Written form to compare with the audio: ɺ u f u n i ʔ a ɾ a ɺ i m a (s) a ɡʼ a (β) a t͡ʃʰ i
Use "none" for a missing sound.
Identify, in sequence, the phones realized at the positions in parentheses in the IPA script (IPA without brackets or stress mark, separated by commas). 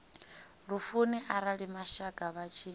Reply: ʃ, β